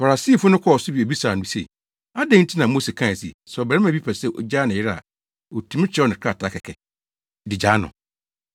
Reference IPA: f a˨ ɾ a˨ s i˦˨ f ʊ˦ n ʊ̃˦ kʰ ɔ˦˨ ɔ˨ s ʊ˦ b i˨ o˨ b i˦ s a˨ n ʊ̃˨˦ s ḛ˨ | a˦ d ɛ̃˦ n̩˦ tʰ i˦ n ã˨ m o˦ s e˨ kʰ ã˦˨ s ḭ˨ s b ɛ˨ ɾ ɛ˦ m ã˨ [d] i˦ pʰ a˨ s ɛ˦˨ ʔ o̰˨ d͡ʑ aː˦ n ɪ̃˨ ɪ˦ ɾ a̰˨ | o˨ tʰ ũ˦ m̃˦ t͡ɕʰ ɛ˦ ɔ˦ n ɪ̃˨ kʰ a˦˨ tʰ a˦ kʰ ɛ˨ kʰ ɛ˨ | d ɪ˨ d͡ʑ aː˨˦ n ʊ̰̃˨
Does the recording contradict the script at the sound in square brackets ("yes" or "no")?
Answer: yes